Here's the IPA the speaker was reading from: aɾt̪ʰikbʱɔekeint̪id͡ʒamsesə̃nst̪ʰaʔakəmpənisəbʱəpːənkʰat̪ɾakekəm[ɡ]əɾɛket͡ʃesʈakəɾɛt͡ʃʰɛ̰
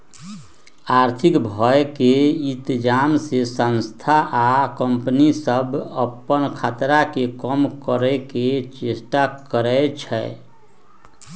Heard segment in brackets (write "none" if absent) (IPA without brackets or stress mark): k